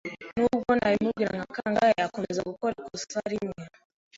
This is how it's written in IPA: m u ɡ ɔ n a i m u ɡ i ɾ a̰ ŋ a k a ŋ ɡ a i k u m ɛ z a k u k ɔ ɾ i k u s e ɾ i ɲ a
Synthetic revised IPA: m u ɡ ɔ n a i m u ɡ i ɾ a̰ ŋ a k a ŋ ɡ a a k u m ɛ z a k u k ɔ ɾ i k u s a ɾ i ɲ a